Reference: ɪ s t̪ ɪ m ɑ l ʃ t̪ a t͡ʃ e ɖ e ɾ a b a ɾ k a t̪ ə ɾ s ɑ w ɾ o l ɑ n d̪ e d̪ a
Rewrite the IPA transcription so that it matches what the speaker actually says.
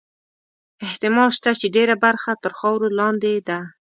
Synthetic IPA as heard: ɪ h t̪ ɪ m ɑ l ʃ t̪ a t͡ʃ e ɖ e ɾ a b a ɾ x a t̪ ə ɾ x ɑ w ɾ o l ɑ n d̪ e d̪ a